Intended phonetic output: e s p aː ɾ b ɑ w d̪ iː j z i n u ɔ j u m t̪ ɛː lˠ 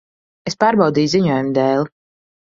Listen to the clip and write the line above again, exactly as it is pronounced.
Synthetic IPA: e s p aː ɾ b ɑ w d̪ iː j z i ɲ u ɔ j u m d̪ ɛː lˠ

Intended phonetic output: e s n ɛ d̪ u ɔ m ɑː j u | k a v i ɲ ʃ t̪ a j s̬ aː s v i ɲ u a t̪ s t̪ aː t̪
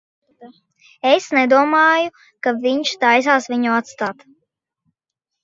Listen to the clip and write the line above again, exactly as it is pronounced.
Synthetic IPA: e s n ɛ d̪ u ɔ m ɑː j u | k a v i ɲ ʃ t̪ a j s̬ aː s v i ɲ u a t̪ s t̪ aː t̪

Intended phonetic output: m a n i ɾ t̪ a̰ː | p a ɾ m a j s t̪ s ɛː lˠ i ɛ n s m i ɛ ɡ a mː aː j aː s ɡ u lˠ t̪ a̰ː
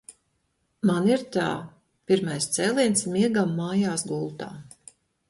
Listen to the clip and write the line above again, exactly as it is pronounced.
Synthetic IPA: m a n i ɾ t̪ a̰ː | p i ɾ m a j s t̪ s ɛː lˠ i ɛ n s m i ɛ ɡ a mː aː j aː s ɡ u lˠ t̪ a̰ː

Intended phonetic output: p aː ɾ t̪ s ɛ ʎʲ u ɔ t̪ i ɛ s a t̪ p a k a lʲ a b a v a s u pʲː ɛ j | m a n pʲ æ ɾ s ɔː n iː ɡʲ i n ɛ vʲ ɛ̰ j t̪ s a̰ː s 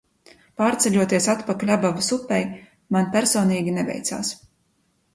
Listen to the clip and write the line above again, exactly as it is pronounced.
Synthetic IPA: p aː ɾ t̪ s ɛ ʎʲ u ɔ t̪ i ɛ s a t̪ p a k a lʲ a b a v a s u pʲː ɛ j | m a n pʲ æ ɾ s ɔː n iː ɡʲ i n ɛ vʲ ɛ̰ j t̪ s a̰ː s

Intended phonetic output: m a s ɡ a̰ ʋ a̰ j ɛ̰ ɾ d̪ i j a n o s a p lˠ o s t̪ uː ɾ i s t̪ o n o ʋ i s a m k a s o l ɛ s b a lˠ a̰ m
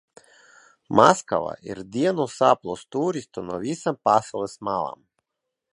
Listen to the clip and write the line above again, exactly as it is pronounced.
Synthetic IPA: m a s k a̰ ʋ a̰ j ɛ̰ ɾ d̪ i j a n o s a p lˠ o s t̪ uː ɾ i s t̪ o n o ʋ i s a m p a s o l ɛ s m a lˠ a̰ m

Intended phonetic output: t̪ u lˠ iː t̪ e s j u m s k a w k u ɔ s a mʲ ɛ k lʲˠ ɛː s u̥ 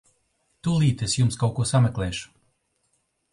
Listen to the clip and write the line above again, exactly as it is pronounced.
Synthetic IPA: t̪ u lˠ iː t̪ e s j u m s k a w k u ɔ s a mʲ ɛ k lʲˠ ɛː ʃ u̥

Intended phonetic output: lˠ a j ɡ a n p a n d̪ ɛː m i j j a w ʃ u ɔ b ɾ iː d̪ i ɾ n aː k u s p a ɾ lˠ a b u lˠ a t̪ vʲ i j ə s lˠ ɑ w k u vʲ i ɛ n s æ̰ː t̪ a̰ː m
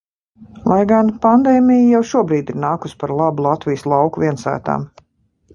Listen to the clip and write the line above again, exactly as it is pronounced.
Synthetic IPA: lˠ a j ɡ a n p a n d̪ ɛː m i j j a w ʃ u ɔ b ɾ iː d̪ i ɾ n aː k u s p a ɾ lˠ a b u lˠ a t̪ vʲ i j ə s lˠ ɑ w k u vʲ i ɛ n s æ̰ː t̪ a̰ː m

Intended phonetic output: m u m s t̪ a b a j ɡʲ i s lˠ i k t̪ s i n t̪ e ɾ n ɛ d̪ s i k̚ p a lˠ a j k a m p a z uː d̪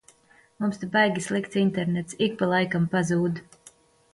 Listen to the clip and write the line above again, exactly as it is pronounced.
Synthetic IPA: m u m s t̪ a b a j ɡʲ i s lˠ i k t̪ s i n t̪ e ɾ n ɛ t̪ s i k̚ p a lˠ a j k a m p a z uː d̪

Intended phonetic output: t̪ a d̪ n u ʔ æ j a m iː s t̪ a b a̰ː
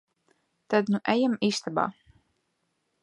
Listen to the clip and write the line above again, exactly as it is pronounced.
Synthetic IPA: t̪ a d̪ n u ʔ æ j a m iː s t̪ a b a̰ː

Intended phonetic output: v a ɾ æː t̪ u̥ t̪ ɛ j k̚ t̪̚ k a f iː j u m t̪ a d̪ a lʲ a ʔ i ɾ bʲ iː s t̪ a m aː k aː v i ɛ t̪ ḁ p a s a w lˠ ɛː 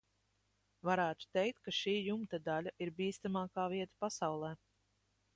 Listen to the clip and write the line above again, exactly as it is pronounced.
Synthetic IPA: v a ɾ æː t̪ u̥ t̪ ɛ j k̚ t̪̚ k a ʃ iː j u m t̪ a d̪ a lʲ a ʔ i ɾ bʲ iː s t̪ a m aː k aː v i ɛ t̪ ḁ p a s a w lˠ ɛː

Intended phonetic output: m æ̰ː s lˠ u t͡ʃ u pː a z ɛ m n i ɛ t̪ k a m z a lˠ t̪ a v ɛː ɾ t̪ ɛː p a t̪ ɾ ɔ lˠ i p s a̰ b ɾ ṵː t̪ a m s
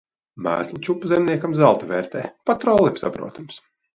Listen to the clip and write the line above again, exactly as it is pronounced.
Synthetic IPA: m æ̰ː s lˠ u t͡ʃ u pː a z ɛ m n i ɛ k a m z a lˠ t̪ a v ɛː ɾ t̪ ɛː p a t̪ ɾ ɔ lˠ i p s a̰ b ɾ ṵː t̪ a m s

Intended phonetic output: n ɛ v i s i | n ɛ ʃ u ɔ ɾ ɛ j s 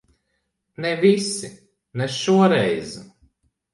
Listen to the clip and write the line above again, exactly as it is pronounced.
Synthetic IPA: n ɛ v i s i | n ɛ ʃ u ɔ ɾ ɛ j z

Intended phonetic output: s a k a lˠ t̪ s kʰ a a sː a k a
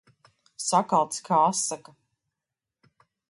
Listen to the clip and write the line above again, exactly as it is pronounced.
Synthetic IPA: s a k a lˠ t̪ s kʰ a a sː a k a

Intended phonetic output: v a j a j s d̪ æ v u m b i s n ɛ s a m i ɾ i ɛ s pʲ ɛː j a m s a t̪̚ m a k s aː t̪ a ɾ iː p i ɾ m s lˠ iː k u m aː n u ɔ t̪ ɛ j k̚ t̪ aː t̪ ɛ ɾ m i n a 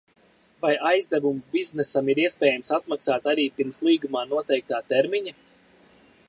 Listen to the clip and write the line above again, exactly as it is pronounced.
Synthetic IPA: v a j a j z d̪ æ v u m b i z n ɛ s a m i ɾ i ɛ s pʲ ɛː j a m s a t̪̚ m a k s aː t̪ a ɾ iː p i ɾ m s lˠ iː ɡ u m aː n u ɔ t̪ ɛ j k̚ t̪ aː t̪ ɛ ɾ m i ɲ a

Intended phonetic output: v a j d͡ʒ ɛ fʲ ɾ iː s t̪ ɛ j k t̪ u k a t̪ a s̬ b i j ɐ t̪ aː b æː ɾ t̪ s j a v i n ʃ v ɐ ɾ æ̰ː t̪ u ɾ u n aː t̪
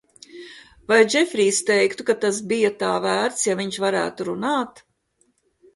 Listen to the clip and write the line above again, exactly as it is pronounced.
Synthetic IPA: v a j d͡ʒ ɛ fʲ ɾ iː s t̪ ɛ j k t̪ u k a t̪ a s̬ b i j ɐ t̪ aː v æː ɾ t̪ s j a v i ɲ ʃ v a ɾ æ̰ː t̪ u ɾ u n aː t̪

